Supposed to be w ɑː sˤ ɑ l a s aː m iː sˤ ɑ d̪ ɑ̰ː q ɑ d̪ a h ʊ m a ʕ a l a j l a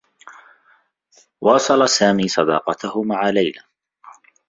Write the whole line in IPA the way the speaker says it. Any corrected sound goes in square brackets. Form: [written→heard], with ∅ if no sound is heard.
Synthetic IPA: w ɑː sˤ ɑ l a s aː m iː sˤ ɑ d̪ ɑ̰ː q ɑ [d̪→t̪] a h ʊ m a ʕ a l a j l a